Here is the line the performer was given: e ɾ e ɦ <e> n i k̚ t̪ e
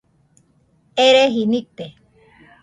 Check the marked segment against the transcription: incorrect: i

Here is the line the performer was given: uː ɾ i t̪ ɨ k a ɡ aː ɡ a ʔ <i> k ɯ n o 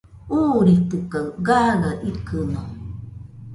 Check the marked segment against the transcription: correct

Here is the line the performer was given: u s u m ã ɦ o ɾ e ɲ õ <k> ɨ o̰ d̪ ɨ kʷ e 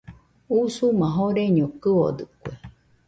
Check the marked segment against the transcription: correct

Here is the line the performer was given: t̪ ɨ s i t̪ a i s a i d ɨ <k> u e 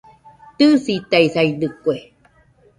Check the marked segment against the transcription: correct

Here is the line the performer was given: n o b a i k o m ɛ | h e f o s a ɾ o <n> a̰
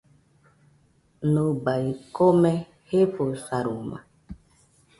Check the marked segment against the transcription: incorrect: m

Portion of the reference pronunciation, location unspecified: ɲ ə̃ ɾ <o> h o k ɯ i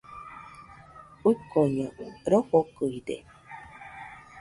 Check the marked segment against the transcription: correct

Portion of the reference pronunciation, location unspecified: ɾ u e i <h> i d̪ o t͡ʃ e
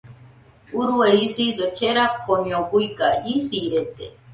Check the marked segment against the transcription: incorrect: s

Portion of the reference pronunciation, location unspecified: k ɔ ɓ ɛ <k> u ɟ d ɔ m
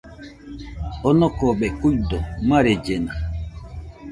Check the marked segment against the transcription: correct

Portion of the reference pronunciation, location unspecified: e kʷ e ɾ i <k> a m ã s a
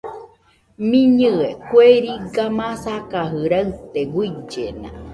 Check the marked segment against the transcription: incorrect: ɡ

